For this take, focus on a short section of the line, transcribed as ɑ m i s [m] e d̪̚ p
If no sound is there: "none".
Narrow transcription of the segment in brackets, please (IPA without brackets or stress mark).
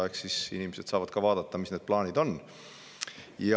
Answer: n